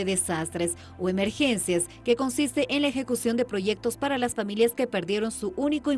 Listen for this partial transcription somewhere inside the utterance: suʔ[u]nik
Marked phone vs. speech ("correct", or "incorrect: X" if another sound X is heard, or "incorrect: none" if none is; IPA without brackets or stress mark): correct